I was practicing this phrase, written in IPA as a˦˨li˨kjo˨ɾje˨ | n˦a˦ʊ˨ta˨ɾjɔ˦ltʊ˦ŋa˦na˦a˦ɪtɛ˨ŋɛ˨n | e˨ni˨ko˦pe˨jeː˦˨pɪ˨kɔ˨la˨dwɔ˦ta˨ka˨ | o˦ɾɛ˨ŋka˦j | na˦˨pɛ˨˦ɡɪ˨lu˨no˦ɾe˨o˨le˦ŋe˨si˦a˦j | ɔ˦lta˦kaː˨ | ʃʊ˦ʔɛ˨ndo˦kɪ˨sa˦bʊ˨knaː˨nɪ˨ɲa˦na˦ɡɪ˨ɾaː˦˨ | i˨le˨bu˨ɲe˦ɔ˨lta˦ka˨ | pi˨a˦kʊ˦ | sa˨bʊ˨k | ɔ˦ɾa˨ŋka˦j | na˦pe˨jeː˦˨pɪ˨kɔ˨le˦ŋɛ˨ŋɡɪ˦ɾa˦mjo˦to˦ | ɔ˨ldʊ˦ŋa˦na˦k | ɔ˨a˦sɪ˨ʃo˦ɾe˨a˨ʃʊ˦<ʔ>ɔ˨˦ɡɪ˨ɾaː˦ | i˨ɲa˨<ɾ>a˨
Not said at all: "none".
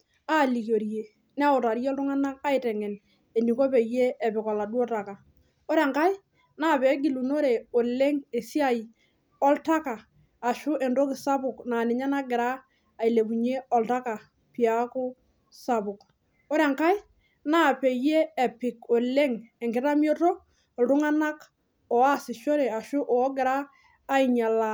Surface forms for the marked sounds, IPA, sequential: ʔ, l

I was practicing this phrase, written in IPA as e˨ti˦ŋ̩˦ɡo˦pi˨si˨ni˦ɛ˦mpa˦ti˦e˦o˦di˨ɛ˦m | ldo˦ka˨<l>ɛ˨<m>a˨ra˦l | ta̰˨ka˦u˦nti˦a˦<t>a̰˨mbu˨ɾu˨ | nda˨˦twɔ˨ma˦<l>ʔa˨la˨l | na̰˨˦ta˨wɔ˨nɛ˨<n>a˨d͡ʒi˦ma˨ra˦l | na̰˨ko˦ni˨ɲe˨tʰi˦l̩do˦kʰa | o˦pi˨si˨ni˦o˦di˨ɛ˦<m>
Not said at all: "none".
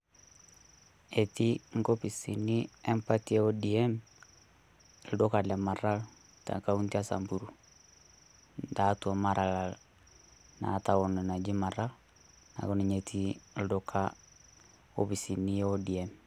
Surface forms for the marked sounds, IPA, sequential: l, m, s, ɾ, n, m

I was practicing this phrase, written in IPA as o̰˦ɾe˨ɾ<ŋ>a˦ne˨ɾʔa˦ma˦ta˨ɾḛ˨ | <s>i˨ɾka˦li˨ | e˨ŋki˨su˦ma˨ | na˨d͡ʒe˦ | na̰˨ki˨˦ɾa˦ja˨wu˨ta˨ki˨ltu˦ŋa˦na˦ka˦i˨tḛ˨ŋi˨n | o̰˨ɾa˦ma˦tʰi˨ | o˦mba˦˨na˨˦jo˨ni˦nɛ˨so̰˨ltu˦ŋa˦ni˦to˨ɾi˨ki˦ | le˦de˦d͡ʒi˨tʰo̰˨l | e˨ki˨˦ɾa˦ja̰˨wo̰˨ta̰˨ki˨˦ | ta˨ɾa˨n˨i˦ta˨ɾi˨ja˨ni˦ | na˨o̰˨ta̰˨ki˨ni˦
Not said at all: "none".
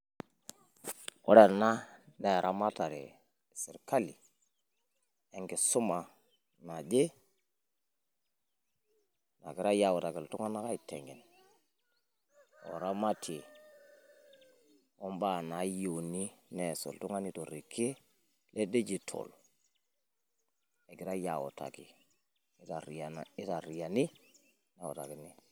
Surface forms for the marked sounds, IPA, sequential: n, s

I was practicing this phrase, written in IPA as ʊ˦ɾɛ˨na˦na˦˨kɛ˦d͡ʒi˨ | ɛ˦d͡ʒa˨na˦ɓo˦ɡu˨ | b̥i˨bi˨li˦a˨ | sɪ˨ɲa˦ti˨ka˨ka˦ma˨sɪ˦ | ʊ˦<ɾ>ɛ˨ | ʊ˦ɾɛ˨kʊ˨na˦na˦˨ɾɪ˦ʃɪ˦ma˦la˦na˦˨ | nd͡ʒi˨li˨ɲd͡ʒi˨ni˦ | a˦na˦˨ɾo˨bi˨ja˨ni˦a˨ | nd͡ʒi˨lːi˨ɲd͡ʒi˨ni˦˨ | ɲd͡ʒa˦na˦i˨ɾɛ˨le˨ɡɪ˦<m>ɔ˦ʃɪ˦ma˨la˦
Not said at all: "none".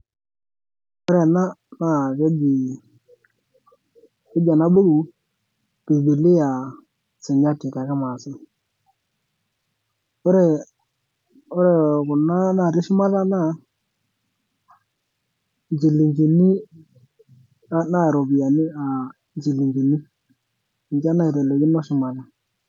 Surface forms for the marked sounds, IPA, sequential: ɾ, n

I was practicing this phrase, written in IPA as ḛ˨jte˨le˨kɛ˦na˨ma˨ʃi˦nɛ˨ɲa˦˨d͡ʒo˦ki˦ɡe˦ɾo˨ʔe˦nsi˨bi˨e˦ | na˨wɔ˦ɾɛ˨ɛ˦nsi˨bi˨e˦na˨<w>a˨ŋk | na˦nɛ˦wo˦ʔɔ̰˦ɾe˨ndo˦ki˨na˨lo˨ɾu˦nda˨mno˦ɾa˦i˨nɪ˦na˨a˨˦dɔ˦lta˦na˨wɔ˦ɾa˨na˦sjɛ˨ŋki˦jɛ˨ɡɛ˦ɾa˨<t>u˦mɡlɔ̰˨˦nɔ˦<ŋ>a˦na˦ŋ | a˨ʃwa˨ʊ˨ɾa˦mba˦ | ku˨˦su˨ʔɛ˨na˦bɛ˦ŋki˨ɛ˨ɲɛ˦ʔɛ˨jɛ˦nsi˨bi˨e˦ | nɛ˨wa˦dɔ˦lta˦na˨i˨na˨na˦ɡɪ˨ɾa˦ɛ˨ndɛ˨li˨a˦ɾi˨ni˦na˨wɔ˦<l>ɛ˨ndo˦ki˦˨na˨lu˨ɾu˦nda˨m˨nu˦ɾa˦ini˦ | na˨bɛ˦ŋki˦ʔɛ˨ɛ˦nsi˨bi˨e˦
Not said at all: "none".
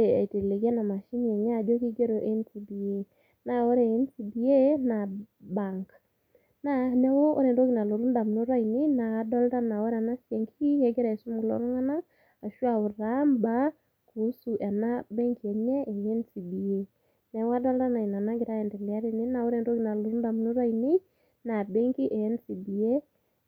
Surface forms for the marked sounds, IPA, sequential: b, s, ŋ, ɾ

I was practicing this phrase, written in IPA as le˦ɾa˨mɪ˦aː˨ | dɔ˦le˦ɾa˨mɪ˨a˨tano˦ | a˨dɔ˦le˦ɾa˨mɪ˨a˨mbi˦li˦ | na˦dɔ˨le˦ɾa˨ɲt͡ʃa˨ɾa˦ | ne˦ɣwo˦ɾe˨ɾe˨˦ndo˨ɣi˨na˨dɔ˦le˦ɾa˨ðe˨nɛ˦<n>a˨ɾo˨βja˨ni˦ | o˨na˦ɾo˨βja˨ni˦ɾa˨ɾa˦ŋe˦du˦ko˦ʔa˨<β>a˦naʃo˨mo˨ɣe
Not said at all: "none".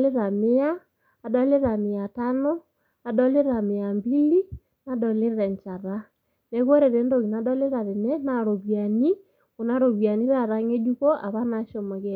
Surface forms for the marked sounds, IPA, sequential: n, β

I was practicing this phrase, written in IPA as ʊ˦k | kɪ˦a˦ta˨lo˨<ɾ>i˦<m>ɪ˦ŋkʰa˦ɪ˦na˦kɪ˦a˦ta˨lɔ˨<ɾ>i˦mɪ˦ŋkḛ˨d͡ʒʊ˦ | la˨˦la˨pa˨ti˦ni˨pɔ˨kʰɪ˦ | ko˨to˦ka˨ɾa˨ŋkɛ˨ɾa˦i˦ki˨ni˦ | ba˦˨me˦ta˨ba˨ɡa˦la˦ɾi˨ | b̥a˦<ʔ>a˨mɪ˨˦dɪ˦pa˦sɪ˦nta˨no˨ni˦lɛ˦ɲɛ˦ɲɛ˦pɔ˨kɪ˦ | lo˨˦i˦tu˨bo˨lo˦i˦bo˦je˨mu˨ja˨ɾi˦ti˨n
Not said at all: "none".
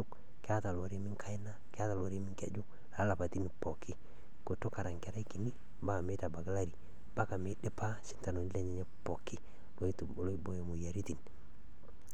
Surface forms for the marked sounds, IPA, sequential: ɾ, m, ɾ, k

